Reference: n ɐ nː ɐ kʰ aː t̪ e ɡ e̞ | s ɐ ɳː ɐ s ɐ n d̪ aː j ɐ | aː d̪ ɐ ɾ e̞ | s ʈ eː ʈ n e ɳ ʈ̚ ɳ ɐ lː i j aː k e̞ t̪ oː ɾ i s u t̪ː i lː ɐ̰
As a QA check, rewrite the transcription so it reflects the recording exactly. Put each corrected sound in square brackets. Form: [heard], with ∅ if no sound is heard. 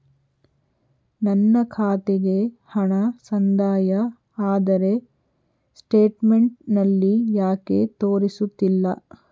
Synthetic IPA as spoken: n ɐ nː ɐ kʰ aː t̪ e ɡ e̞ | [h] ɐ [ɳ] ɐ s ɐ n d̪ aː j ɐ | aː d̪ ɐ ɾ e̞ | s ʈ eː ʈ [m] e ɳ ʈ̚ [n] ɐ lː i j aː k e̞ t̪ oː ɾ i s u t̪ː i lː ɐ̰